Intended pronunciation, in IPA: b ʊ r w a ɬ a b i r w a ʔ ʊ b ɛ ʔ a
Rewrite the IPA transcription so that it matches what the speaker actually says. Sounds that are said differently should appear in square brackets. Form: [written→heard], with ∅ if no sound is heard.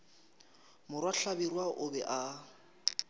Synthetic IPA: [b→m] ʊ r w a ɬ a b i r w a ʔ ʊ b ɛ ʔ a